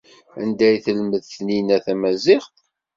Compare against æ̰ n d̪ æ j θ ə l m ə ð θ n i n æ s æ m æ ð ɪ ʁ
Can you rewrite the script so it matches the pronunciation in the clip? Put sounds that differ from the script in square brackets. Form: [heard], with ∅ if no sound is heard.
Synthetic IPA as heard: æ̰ n d̪ æ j θ ə l m ə ð θ n i n æ [θ] æ m æ [z] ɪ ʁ